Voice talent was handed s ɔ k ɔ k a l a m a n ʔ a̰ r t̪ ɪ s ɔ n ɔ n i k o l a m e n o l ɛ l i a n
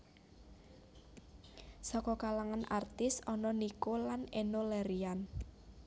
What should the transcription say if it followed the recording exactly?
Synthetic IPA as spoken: s ɔ k ɔ k a l a ŋ a n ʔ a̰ r t̪ ɪ s ɔ n ɔ n i k o l a n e n o l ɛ ɾ i a n